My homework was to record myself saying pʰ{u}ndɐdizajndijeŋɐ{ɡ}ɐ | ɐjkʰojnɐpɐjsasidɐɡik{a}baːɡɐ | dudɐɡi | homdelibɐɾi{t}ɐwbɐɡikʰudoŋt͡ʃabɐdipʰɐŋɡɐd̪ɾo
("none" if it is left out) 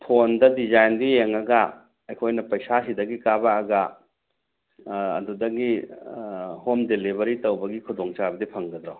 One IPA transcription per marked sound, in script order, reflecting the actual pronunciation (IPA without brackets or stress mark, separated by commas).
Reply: o, ɡ, a, t